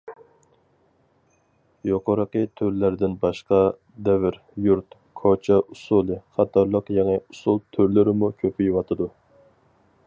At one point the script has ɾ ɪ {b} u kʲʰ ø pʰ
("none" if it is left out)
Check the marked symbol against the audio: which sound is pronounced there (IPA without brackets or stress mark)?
m